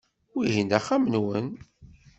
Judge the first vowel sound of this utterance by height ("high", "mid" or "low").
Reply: high